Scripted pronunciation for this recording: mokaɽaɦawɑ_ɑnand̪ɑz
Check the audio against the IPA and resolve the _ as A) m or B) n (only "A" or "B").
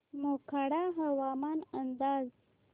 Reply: A